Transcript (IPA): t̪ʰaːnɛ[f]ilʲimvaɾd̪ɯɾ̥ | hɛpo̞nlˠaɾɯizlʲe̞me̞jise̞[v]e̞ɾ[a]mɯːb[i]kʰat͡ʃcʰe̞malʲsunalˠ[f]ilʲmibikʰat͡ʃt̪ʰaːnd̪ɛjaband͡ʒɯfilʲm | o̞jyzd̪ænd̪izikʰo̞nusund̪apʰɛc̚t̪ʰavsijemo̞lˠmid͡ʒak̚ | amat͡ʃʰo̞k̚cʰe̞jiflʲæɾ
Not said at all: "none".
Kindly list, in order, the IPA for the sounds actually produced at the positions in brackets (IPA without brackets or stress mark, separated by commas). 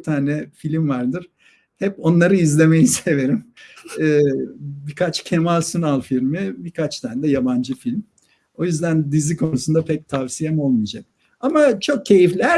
f, v, i, i, f